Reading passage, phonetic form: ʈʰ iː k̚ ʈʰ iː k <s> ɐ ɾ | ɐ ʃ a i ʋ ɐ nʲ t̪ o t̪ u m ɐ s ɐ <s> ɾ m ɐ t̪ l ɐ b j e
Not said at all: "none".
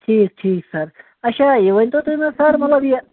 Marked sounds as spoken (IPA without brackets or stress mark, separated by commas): s, none